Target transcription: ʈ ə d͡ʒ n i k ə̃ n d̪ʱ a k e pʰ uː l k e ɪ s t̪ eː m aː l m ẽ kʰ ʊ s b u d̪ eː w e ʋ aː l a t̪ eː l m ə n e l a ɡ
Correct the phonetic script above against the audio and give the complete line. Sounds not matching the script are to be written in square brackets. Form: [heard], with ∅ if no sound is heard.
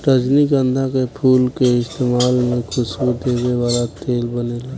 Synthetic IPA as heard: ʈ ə d͡ʒ n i k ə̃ n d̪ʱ a k e pʰ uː l k e ɪ s t̪ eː m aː l m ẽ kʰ ʊ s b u d̪ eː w e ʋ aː l a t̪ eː l [b] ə n e l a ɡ